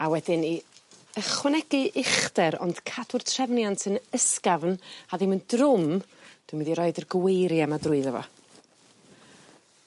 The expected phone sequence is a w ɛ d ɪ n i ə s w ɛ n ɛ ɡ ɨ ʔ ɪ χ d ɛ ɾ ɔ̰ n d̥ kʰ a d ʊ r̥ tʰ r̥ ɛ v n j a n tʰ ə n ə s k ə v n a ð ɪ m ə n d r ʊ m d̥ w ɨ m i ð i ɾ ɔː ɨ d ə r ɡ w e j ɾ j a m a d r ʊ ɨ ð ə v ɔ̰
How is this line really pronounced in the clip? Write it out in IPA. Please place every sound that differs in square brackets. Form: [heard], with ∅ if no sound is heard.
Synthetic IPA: a w ɛ d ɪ n i ə [χ] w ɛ n ɛ ɡ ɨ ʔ ɪ χ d ɛ ɾ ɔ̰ n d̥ kʰ a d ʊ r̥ tʰ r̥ ɛ v n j a n tʰ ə n ə s k [a] v n a ð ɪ m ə n d r ʊ m d̥ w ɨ m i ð i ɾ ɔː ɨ d ə r ɡ w e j ɾ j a m a d r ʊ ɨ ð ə v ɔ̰